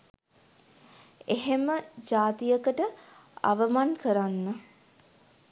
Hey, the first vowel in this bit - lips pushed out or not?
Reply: no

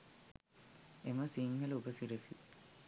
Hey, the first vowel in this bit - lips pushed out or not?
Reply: no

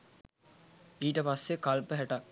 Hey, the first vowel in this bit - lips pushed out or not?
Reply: no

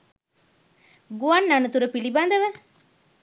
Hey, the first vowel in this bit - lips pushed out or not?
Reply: yes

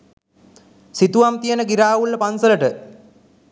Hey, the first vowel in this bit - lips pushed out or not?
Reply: no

